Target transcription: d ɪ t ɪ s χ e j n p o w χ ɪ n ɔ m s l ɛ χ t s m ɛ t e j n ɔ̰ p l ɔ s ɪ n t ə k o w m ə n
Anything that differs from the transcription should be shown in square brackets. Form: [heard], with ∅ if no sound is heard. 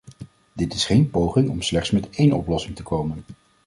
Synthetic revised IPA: d ɪ t ɪ s χ e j n p o w χ ɪ [ŋ] ɔ m s l ɛ χ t s m ɛ t e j n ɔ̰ p l ɔ s ɪ [ŋ] t ə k o w m ə n